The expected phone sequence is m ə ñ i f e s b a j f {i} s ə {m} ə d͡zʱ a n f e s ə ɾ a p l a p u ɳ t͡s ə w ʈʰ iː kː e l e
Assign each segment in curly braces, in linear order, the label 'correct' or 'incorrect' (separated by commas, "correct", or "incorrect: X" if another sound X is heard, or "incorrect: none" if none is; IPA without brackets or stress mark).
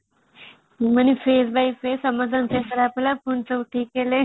incorrect: e, correct